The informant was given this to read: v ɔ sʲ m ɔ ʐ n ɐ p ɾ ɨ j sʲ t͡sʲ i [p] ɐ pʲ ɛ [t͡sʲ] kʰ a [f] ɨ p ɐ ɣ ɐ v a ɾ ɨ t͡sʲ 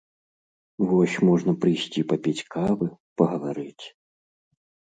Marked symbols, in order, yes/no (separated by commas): yes, yes, no